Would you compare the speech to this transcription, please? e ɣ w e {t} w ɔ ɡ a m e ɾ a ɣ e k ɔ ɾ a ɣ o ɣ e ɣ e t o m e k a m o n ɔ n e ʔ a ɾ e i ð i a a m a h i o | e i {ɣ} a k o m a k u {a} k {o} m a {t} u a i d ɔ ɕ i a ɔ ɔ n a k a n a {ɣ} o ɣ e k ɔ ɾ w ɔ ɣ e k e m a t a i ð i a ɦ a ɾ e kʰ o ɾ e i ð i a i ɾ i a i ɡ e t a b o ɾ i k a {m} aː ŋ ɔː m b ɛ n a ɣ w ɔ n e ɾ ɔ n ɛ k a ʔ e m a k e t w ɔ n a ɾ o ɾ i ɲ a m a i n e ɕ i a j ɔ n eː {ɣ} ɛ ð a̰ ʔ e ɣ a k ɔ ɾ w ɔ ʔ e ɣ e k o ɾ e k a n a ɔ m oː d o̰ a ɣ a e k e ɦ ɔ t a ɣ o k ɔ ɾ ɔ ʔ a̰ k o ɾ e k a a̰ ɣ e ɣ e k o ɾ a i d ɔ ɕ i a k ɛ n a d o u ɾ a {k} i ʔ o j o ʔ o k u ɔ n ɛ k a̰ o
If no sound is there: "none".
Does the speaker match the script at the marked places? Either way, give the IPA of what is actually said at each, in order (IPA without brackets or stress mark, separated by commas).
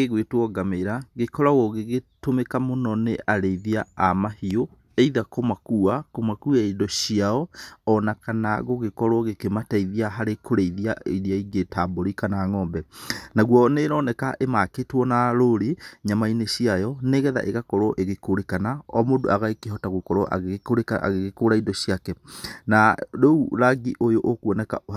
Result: t, ð, a, o, k, ɣ, n, ɣ, ɡ